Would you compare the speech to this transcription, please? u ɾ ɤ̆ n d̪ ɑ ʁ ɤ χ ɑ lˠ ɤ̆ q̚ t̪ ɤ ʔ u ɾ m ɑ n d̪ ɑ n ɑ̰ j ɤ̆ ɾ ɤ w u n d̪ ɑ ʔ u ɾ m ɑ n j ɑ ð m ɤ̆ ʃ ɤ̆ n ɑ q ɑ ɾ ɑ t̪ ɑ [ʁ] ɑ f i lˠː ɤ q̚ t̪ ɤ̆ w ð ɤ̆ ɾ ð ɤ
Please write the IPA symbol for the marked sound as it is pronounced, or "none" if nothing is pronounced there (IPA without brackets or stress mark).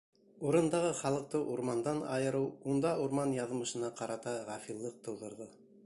ʁ